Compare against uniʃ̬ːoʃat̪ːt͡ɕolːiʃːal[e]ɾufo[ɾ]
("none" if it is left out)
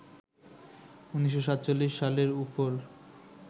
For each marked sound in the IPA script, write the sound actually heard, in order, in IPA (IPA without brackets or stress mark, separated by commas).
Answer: e, l